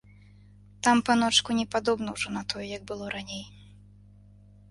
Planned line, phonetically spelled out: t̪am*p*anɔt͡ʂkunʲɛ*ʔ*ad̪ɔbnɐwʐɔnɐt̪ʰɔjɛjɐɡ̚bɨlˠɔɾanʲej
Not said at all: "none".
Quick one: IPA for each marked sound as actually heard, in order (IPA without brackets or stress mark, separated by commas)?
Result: p, p